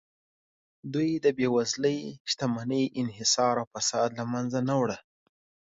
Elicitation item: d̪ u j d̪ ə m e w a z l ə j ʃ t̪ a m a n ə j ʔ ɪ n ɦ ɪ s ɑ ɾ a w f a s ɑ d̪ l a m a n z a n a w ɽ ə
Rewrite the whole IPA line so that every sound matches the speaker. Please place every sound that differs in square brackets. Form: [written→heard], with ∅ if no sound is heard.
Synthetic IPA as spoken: d̪ u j d̪ ə [m→b] e w a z l ə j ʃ t̪ a m a n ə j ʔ ɪ n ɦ ɪ s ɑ ɾ a w f a s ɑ d̪ l a m a n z a n a w ɽ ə